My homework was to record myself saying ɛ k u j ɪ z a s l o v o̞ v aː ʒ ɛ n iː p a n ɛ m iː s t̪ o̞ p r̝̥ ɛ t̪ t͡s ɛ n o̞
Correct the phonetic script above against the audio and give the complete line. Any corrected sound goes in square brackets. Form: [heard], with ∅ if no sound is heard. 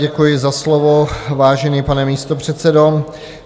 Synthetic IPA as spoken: ɛ k u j ɪ z a s l o v o̞ v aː ʒ ɛ n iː p a n ɛ m iː s t̪ o̞ p r̝̥ ɛ t̪ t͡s ɛ [d] o̞